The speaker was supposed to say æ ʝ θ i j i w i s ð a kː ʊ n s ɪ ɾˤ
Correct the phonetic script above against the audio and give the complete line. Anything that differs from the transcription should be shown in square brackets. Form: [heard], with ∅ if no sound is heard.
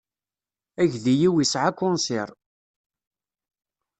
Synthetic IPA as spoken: æ ʝ [ð] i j i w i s [ʕ] a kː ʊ n s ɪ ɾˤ